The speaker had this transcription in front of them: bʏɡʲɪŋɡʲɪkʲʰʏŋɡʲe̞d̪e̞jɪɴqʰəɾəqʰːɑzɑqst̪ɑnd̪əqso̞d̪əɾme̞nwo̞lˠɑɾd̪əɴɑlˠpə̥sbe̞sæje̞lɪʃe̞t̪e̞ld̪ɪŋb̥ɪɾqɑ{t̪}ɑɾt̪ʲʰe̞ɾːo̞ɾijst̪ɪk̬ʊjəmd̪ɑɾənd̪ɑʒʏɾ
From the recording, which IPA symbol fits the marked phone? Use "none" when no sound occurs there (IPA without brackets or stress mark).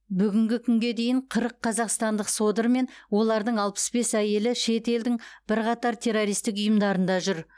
t̪